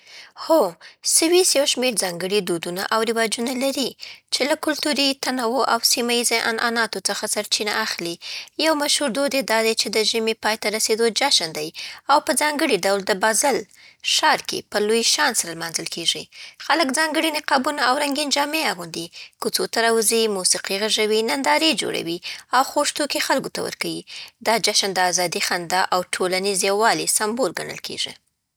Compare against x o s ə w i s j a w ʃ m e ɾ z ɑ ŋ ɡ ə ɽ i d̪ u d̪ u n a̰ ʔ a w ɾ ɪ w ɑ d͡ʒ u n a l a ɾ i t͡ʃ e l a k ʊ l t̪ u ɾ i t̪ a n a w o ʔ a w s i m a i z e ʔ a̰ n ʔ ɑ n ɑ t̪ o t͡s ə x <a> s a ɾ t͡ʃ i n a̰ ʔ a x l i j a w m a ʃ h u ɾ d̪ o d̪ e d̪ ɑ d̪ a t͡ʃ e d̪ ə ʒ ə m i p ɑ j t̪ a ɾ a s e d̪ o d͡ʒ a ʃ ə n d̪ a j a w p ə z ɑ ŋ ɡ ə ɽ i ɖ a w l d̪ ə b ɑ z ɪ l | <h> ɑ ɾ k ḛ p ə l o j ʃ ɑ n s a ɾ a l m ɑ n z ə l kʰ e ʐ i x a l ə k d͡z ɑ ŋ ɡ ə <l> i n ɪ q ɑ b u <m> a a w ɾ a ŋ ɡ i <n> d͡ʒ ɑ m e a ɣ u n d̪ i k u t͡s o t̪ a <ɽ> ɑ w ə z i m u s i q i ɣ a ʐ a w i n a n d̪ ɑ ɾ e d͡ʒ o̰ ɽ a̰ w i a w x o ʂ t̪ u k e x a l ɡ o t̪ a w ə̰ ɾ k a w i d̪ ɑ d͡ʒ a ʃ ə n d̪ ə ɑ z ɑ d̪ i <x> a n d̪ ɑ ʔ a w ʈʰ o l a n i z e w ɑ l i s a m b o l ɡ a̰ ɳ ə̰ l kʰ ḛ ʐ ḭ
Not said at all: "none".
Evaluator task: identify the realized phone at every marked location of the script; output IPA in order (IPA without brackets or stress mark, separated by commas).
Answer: a, ʃ, ɽ, n, n, ɾ, x